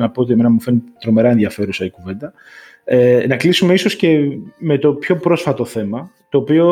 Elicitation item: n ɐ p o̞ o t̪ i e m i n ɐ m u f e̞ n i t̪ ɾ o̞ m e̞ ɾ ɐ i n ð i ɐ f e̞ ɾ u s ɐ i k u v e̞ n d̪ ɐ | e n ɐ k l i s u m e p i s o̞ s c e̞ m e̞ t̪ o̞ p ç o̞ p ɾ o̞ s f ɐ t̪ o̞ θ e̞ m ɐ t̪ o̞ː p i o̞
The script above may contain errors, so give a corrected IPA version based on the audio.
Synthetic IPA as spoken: n ɐ p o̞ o t̪ i e m e n ɐ m u f e̞ n i t̪ ɾ o̞ m e̞ ɾ ɐ e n ð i ɐ f e̞ ɾ u s ɐ i k u v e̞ n d̪ ɐ | e n ɐ k l i s u m e i s o̞ s c e̞ m e̞ t̪ o̞ p ç o̞ p ɾ o̞ s f ɐ t̪ o̞ θ e̞ m ɐ t̪ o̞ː p i o̞